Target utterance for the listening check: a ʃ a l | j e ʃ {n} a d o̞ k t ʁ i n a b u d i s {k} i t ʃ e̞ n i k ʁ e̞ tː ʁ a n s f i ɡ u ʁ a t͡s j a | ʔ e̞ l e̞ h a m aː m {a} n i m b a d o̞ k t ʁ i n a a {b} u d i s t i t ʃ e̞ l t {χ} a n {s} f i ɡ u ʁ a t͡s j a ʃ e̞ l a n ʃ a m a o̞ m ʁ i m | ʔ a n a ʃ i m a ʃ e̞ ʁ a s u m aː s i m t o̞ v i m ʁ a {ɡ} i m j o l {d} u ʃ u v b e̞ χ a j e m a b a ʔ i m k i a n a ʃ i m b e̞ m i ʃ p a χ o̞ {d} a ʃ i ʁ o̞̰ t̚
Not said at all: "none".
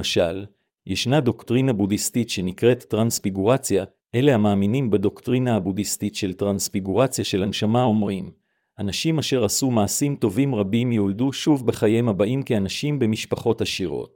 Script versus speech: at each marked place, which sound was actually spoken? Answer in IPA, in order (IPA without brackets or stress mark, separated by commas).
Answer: n, t, i, b, ʁ, s, b, d, t